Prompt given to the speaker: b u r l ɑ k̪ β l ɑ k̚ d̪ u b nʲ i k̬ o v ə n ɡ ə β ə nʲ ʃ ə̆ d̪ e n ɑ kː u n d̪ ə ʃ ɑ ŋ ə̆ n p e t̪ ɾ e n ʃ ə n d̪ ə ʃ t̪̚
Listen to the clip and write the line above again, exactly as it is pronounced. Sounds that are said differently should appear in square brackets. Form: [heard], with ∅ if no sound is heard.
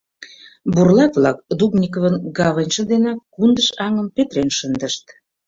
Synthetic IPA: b u r l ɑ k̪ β l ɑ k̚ d̪ u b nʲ i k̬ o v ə n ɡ [ɑ] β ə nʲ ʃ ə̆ d̪ e n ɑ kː u n d̪ ə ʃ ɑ ŋ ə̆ [m] p e t̪ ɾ e n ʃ ə n d̪ ə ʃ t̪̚